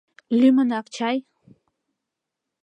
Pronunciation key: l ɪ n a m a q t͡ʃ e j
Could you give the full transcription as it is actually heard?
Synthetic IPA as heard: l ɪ m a n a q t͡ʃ a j